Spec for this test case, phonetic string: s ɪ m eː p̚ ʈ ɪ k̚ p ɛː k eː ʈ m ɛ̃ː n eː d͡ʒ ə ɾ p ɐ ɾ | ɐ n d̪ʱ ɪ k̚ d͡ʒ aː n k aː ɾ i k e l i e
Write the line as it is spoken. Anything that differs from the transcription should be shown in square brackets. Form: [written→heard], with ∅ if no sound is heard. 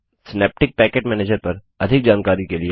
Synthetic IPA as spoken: s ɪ [m→n] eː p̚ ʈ ɪ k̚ p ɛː k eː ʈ m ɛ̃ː n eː d͡ʒ ə ɾ p ɐ ɾ | ɐ [n→∅] d̪ʱ ɪ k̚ d͡ʒ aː n k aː ɾ i k e l i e